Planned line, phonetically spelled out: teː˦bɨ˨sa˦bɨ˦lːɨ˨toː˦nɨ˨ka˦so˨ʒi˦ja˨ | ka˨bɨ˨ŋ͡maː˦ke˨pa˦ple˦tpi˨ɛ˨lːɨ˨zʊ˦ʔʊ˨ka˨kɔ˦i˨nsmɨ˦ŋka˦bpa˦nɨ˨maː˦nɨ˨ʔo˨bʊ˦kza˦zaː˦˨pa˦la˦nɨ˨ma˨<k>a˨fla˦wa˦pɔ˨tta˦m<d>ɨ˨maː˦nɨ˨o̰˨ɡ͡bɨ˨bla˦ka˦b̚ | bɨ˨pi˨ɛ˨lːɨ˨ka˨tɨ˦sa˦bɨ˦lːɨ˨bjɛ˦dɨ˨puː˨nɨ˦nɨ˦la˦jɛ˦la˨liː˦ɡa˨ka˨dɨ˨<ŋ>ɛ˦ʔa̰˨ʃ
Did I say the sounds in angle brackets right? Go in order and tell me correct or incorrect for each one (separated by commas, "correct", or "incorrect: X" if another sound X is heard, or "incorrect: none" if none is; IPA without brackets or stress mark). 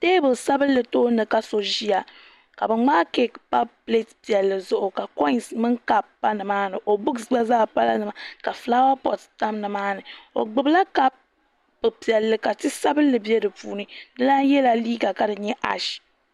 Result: correct, incorrect: n, incorrect: ɲ